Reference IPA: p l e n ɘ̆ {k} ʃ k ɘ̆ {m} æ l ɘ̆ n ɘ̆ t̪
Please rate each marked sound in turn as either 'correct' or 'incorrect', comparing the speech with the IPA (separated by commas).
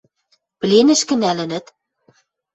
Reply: incorrect, incorrect